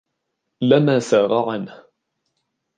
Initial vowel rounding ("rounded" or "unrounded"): unrounded